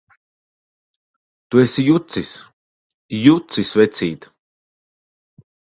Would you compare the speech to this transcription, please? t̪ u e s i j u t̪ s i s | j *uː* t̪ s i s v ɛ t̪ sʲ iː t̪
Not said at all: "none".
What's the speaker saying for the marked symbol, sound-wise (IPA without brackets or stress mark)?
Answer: u